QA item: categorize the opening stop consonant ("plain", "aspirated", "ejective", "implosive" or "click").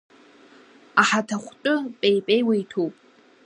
aspirated